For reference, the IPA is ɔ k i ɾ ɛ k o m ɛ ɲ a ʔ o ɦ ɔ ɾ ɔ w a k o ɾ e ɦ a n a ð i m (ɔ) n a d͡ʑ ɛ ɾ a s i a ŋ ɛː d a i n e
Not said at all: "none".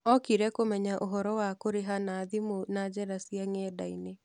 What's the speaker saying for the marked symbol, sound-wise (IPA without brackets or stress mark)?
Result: o